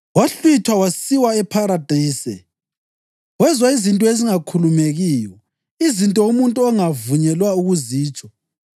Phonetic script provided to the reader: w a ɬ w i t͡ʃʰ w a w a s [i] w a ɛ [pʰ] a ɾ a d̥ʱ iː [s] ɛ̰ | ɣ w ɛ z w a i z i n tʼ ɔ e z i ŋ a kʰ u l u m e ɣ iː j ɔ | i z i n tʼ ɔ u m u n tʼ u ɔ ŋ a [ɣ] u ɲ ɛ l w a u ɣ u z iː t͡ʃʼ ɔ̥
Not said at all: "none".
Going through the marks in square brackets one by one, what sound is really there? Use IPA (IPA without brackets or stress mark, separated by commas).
i, pʰ, s, v